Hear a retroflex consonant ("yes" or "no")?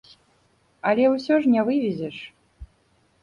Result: yes